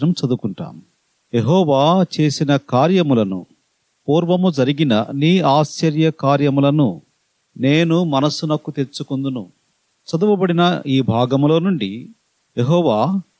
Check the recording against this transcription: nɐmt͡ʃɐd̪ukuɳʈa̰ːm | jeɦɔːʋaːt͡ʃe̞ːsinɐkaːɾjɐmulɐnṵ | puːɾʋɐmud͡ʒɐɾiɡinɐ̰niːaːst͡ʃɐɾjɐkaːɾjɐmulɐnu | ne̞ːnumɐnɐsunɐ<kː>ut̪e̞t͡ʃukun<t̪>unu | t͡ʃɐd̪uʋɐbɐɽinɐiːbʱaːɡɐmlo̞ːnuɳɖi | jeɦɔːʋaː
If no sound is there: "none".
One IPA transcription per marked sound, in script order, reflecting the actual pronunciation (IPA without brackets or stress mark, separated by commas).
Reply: kː, d̪